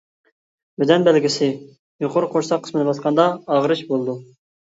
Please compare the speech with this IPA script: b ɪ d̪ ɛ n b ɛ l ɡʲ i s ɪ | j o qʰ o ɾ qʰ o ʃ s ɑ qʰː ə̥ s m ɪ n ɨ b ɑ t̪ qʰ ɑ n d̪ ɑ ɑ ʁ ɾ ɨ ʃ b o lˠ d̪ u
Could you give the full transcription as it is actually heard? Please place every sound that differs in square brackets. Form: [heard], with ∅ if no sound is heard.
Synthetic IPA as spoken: b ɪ d̪ ɛ n b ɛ l ɡʲ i s ɪ | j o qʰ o ɾ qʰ o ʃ s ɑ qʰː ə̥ s m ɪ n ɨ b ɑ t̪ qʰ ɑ n d̪ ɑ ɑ ʁ ɾ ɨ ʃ b o lˠ d̪ u